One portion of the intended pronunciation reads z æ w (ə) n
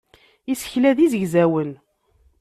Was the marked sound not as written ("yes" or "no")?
no